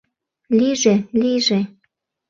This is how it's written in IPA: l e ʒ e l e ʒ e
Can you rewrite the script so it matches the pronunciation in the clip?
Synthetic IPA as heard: l i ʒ e l i ʒ e